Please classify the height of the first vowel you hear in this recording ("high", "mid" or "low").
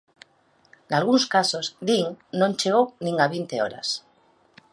low